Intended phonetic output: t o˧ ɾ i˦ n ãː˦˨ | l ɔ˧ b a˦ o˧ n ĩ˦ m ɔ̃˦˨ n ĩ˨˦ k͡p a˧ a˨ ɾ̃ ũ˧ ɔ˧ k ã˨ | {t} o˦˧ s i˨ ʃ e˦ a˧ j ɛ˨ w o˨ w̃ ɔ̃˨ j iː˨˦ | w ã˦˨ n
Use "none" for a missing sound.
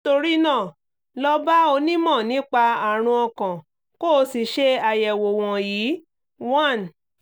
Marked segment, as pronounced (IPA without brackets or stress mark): k